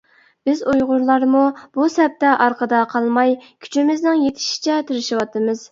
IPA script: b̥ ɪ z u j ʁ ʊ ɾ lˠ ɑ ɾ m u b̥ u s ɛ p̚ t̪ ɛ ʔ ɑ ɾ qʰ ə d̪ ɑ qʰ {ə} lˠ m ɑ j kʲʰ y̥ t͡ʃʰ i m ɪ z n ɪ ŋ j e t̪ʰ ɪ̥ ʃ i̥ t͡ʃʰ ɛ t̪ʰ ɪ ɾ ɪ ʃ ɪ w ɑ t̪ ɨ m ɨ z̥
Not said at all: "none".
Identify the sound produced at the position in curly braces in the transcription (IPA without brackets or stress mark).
ɑ